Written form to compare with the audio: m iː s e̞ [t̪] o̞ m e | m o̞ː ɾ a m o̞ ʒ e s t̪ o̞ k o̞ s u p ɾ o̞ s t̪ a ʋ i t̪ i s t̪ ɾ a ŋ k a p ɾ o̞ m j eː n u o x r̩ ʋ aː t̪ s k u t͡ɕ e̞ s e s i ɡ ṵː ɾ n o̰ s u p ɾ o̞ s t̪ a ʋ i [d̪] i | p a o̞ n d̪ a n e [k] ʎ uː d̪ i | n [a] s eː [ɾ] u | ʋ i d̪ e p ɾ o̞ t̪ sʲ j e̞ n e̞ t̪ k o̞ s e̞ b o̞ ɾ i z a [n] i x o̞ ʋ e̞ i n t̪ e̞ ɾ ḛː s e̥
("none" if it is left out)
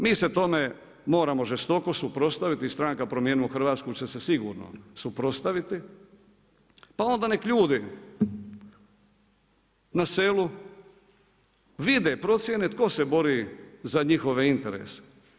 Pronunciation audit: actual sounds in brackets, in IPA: t̪, t̪, k, a, l, ɲ

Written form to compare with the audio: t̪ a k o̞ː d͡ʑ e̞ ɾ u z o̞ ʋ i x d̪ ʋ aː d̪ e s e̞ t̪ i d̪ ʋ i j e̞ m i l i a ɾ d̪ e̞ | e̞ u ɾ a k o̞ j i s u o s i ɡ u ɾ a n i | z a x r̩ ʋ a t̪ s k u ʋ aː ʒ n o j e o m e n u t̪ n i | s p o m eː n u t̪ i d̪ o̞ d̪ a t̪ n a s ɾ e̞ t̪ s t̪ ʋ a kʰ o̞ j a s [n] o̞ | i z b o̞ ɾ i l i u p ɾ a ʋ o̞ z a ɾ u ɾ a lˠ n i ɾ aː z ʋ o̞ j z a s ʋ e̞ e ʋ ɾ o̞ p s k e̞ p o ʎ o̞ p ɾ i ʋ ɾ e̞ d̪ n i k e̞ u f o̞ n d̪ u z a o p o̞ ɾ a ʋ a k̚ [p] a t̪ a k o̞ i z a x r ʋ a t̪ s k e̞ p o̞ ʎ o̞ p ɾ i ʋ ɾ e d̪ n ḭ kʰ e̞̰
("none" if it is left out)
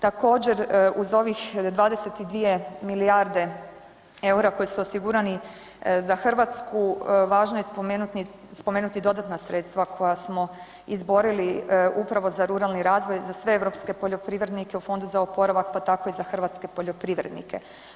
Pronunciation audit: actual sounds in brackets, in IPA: m, p

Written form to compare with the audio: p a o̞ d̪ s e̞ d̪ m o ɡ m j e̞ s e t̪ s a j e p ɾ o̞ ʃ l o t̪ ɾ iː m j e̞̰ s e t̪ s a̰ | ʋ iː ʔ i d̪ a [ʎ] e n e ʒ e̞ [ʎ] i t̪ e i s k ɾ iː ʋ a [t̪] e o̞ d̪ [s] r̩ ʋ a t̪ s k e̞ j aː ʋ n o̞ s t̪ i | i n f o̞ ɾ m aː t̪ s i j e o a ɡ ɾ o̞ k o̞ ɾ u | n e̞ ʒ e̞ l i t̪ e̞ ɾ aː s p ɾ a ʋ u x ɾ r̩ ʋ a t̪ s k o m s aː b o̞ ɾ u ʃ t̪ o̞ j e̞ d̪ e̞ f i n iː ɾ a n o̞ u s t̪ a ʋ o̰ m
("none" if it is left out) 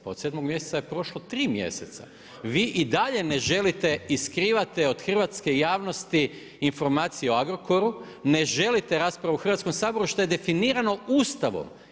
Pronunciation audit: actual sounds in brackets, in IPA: ʎ, l, t̪, x

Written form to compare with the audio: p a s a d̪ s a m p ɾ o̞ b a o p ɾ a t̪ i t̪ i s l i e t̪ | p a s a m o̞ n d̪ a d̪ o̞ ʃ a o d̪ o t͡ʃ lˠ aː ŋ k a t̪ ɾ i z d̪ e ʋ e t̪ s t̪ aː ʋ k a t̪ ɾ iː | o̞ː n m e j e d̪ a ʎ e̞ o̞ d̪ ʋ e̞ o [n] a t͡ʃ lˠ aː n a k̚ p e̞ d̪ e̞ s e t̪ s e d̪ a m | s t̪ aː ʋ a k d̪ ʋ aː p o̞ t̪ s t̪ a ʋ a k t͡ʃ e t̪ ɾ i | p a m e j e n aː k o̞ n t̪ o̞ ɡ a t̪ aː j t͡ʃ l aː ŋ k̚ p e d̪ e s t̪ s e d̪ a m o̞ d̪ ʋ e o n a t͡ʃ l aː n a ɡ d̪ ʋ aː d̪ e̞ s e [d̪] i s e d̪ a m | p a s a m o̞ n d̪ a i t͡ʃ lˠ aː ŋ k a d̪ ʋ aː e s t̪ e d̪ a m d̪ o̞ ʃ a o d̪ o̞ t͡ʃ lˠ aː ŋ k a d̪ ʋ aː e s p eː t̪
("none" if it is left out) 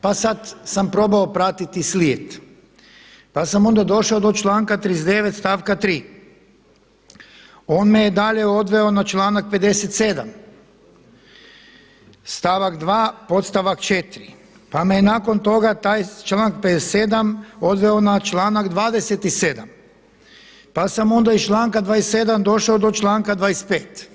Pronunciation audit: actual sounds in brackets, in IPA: n, t̪

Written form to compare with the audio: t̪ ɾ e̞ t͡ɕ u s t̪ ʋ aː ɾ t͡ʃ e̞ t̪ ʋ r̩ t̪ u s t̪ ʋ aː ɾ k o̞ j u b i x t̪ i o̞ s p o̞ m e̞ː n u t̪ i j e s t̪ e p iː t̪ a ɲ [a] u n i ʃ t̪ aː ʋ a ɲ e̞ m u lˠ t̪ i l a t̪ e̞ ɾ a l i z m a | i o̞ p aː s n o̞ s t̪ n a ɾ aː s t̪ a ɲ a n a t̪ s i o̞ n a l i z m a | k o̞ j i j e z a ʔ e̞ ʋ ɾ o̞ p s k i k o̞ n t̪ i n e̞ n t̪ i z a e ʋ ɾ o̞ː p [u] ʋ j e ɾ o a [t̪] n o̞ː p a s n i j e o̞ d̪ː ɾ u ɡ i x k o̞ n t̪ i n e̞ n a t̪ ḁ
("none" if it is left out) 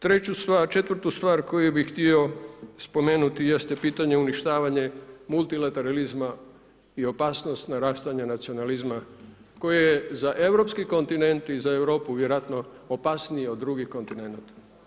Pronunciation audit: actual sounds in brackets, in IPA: e, u, t̪

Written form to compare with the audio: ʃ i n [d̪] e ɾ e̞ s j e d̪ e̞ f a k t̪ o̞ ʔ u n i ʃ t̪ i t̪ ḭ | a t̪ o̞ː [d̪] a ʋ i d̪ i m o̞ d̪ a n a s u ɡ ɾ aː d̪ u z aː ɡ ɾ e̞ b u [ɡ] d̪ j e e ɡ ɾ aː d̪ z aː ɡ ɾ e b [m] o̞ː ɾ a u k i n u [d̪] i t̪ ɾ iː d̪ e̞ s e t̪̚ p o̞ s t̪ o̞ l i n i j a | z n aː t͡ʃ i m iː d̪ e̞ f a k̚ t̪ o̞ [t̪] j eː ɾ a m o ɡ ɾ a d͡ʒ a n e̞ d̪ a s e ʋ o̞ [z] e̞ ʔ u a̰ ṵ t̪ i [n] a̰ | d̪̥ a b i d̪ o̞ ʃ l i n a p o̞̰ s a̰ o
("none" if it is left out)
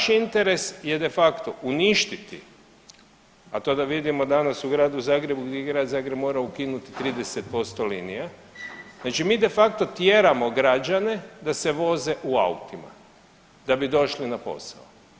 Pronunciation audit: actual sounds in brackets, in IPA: t̪, d̪, ɡ, m, t̪, t̪, z, m

